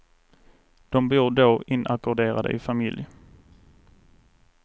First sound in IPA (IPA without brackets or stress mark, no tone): d̪̥